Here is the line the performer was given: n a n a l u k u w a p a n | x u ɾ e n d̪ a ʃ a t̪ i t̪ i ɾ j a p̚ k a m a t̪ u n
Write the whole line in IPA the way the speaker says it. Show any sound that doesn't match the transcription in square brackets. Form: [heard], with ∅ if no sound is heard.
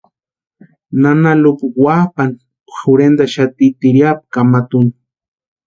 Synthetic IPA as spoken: n a n a l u k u w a p a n | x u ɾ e n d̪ a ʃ a t̪ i t̪ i ɾ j a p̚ k a m a t̪ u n